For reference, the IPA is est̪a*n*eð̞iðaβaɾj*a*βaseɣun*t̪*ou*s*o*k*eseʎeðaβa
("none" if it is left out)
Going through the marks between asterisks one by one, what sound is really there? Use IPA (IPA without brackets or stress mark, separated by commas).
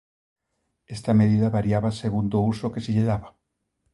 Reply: m, a, d̪, s, k